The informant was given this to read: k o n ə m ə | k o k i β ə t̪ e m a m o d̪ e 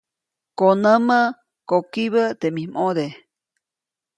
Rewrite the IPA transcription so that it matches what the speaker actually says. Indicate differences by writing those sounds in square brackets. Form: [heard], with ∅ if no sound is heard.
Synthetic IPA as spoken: k o n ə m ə | k o k i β ə t̪ e m [i] m o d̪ e

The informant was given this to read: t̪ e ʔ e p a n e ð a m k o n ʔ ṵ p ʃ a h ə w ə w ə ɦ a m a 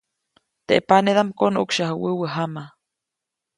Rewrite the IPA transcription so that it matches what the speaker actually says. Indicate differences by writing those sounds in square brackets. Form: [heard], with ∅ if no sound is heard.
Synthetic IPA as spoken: t̪ e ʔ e p a n e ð a m k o n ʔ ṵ [k] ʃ a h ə w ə w ə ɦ a m a

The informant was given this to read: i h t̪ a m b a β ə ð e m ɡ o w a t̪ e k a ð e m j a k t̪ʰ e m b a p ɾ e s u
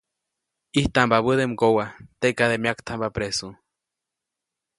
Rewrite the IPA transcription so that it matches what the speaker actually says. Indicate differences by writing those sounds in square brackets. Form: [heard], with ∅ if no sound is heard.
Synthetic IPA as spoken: i h t̪ a m b a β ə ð e m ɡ o w a t̪ e k a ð e m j a k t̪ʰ [a] m b a p ɾ e s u

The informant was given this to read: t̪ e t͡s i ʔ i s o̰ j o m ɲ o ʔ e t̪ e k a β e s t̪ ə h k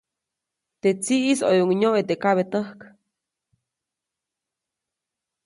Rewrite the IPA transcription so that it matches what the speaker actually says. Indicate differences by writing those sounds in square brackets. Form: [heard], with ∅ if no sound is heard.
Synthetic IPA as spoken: t̪ e t͡s i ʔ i s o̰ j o [ŋ] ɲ o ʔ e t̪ e k a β e [∅] t̪ ə h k

